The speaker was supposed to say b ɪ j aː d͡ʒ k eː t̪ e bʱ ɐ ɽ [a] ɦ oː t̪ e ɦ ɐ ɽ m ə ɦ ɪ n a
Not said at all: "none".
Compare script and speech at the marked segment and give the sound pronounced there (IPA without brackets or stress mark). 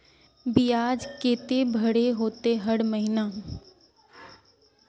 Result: e